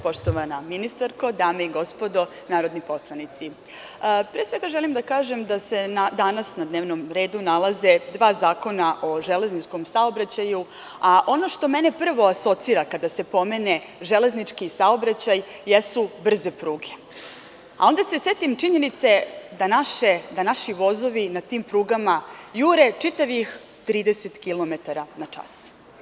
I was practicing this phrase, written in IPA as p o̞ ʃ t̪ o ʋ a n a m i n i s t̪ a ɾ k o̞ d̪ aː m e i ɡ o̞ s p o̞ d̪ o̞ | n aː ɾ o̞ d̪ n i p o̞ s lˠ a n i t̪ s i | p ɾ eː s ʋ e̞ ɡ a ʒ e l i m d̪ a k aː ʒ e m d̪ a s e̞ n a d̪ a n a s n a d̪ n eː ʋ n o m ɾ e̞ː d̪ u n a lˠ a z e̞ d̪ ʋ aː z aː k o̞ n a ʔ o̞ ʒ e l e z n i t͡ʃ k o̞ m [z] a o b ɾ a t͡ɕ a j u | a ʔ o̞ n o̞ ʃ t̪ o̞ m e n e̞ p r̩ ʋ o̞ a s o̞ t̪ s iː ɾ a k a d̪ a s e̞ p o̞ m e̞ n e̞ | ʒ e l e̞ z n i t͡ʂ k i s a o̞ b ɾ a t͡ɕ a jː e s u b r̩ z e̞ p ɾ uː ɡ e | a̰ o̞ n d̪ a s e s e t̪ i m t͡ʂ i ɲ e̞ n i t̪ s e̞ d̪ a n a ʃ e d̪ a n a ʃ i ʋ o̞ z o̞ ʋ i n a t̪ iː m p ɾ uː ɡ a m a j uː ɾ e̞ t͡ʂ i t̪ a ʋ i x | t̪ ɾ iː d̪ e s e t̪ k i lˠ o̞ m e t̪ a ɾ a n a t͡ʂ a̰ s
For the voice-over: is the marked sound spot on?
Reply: no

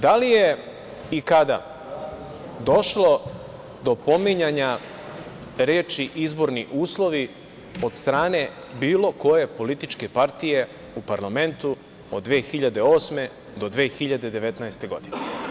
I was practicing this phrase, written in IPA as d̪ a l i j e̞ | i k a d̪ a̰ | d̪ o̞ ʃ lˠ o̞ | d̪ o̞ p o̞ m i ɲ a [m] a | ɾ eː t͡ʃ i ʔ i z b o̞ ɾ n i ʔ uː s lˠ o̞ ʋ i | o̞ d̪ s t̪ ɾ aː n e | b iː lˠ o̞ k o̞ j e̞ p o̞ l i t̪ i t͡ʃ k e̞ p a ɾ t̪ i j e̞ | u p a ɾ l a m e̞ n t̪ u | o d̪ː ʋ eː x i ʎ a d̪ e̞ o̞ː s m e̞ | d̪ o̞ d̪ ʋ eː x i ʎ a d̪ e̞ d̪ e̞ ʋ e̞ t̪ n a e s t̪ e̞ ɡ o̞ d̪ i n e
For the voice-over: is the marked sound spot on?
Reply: no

